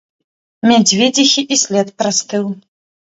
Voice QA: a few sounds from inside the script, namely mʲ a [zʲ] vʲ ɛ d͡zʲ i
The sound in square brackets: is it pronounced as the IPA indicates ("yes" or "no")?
no